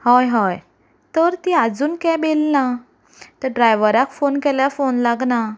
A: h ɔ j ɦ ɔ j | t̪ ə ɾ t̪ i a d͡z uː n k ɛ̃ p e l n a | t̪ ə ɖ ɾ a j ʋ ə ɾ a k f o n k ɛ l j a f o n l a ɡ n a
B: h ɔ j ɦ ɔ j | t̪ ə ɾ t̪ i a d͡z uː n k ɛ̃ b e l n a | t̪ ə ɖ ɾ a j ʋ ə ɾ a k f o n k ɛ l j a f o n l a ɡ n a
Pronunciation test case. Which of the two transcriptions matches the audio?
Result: B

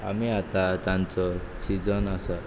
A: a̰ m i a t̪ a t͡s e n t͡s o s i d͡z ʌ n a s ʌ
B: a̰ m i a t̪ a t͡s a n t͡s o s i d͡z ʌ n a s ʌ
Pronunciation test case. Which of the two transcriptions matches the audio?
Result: B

